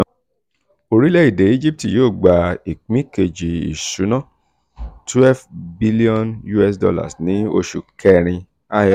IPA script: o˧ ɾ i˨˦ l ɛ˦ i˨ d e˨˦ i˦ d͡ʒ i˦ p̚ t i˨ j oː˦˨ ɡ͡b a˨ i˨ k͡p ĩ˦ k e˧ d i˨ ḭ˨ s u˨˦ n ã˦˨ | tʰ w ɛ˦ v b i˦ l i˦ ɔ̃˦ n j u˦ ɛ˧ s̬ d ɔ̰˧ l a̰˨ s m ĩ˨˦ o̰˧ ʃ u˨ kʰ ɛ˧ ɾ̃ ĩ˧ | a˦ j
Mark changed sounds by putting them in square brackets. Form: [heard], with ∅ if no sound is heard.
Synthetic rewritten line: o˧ ɾ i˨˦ l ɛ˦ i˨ d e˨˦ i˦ d͡ʒ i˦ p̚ t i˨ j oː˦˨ ɡ͡b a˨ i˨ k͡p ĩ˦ k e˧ [d͡ʒ] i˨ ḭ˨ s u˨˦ n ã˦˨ | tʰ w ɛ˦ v b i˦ l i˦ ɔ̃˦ n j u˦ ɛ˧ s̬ d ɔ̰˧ l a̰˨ s [n] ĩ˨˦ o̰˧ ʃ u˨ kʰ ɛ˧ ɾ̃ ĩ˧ | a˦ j